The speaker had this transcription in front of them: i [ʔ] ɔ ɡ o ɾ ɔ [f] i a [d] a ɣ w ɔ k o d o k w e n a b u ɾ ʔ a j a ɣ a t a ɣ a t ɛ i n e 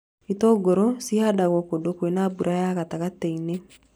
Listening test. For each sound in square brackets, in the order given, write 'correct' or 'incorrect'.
incorrect: t, incorrect: s, correct

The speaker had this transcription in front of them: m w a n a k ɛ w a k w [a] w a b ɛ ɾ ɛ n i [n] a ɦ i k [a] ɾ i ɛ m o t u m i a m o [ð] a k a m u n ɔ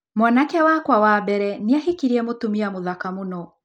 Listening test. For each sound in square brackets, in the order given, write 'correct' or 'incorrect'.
correct, incorrect: none, incorrect: i, correct

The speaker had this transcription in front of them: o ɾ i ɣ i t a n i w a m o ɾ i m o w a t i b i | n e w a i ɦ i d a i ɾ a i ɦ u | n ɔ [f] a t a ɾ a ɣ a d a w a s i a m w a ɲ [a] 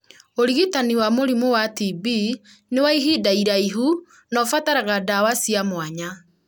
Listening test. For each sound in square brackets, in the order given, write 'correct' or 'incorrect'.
correct, correct

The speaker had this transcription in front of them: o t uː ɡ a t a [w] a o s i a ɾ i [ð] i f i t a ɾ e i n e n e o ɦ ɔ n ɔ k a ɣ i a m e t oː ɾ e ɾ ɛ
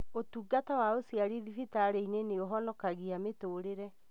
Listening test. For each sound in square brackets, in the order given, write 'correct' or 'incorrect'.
correct, correct

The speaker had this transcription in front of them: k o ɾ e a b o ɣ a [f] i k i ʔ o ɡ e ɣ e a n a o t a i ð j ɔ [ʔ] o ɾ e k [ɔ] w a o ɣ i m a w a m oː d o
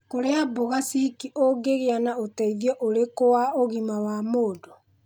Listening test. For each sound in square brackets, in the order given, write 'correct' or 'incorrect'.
incorrect: s, correct, incorrect: o

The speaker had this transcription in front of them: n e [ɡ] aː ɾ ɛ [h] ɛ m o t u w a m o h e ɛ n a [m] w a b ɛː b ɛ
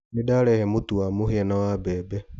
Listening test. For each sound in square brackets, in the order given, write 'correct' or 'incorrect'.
incorrect: d, correct, incorrect: none

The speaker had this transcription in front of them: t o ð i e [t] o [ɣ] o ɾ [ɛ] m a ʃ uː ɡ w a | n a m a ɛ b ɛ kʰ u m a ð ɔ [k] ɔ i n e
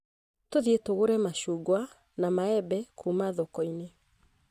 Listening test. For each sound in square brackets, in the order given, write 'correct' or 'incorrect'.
correct, correct, correct, correct

